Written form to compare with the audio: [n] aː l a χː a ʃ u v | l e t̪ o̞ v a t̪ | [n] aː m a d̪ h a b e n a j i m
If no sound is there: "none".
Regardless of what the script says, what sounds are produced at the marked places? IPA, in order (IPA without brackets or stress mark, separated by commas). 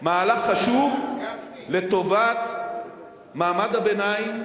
m, m